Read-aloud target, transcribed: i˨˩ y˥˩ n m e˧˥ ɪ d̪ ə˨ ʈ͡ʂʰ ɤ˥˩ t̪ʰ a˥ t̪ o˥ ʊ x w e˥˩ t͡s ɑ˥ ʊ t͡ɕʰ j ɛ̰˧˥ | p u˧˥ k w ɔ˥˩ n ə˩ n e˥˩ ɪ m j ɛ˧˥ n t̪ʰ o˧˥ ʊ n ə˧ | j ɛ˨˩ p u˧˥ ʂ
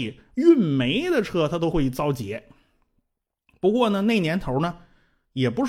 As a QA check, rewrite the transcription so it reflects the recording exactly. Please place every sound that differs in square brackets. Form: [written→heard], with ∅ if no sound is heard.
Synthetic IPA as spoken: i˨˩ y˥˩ n m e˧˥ ɪ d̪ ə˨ ʈ͡ʂʰ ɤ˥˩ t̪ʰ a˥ t̪ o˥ ʊ x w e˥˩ t͡s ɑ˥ ʊ [t͡ɕʰ→t͡ɕ] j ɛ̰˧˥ | p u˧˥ k w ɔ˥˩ n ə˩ n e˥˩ ɪ [m→n] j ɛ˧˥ n t̪ʰ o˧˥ ʊ n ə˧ | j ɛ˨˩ p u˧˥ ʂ